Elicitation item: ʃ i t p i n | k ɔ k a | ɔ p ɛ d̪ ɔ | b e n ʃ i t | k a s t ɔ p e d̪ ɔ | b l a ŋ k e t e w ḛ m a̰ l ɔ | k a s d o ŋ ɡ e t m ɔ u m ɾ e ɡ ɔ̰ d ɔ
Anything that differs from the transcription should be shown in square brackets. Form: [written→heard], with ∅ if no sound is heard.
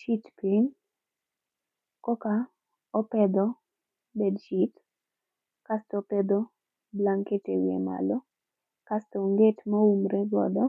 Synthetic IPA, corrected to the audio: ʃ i t p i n | k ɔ k a | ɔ p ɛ d̪ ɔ | b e [n→d] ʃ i t | k a s t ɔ p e d̪ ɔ | b l a ŋ k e t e w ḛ m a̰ l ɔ | k a s [d→t] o ŋ ɡ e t m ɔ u m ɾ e ɡ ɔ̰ d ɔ